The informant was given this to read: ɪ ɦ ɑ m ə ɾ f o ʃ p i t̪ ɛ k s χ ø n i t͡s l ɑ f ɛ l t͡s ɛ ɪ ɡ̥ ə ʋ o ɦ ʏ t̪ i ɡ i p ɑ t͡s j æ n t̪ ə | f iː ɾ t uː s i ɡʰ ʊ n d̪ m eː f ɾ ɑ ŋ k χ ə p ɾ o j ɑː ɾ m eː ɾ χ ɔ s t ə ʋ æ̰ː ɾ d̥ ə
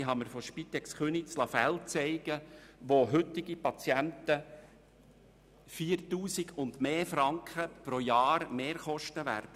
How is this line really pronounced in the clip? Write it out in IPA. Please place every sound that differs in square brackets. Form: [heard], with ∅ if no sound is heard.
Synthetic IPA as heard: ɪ ɦ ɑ m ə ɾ f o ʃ p i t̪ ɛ k s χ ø n i t͡s l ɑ f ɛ l t͡s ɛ ɪ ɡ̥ ə ʋ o ɦ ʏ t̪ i ɡ i p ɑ t͡s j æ n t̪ ə | f iː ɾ t uː s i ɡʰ ʊ n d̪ m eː f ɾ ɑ ŋ k χ ə p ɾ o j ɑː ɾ m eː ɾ χ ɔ [ʃ] t ə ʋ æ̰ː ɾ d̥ ə